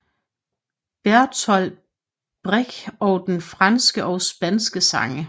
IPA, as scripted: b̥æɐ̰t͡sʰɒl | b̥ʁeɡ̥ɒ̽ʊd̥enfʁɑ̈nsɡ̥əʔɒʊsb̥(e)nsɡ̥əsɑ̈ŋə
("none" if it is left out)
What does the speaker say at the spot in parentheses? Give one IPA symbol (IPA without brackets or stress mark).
æ